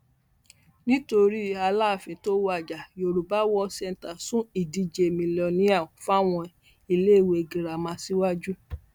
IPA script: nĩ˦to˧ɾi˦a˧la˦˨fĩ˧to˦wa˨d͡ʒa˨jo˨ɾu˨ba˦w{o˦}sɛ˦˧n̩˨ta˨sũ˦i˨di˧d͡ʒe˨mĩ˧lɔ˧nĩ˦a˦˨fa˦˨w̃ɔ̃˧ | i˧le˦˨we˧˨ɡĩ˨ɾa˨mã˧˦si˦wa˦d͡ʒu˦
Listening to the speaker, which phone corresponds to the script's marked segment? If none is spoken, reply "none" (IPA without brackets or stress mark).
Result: ɔ˦